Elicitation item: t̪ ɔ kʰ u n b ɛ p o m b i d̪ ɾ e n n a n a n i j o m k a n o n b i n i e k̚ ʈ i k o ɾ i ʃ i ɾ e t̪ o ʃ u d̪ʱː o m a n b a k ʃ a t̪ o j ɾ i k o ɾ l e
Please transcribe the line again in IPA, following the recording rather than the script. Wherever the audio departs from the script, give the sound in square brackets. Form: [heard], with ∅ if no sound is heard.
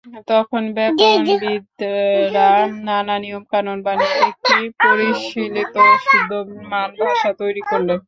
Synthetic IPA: t̪ ɔ kʰ [o] n b ɛ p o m b i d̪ ɾ [a] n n a n a n i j o m k a n o n b [a] n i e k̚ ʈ i [p] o ɾ i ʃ i [l] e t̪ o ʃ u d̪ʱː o m a n b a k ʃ a t̪ o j ɾ i k o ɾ l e